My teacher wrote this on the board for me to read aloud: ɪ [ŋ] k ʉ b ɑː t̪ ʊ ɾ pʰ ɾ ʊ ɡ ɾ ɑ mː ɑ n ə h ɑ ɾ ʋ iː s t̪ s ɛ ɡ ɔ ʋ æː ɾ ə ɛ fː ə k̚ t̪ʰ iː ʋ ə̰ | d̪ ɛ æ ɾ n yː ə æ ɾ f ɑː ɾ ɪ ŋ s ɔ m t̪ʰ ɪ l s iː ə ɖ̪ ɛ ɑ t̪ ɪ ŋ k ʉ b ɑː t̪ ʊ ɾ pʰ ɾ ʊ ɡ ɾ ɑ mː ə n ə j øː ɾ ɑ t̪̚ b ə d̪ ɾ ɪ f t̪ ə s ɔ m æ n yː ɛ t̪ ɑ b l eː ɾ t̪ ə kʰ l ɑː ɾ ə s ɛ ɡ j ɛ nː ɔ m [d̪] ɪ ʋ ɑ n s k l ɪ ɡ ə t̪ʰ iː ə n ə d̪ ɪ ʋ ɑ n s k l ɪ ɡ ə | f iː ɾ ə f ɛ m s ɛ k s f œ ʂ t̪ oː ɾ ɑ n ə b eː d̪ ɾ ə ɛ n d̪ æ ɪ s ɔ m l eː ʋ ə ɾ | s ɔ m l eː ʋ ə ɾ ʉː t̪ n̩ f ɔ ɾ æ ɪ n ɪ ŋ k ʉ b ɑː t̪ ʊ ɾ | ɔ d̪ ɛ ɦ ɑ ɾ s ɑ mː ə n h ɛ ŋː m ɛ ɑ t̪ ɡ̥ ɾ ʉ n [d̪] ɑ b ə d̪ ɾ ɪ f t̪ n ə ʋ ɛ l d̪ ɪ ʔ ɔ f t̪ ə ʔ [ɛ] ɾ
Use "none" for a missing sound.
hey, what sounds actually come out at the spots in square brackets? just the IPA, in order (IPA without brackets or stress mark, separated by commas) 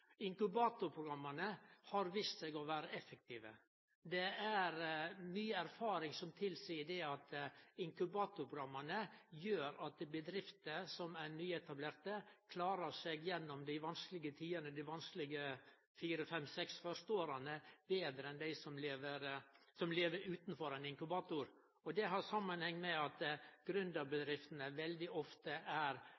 ŋ, d̪, d̪, æ